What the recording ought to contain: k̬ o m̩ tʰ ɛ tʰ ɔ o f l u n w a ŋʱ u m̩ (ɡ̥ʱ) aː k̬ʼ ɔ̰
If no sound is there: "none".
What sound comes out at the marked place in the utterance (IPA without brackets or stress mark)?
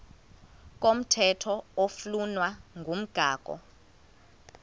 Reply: ɡ̥ʱ